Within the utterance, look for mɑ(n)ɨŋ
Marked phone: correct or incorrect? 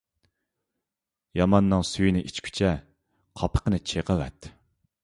incorrect